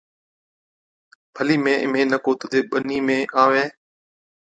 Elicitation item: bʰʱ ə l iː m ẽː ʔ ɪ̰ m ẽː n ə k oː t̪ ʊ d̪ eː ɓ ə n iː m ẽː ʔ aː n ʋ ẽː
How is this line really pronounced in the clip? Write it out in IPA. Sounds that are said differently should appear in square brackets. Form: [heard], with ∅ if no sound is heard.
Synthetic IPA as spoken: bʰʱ ə l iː m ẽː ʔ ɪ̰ m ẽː n ə k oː t̪ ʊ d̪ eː ɓ ə n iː m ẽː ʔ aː [∅] ʋ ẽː